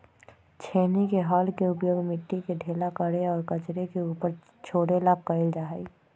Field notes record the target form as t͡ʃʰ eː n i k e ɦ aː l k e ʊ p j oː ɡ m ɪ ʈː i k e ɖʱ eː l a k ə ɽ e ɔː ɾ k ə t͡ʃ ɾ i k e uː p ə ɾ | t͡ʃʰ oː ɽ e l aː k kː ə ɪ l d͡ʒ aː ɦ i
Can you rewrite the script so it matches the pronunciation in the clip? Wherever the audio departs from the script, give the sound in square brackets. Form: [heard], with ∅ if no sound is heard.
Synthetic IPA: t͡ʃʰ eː n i k e ɦ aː l k e ʊ p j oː ɡ m ɪ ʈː i k e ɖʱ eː l a k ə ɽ e ɔː ɾ k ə t͡ʃ ɾ [e] k e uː p ə ɾ | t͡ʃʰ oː ɽ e l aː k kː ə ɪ l d͡ʒ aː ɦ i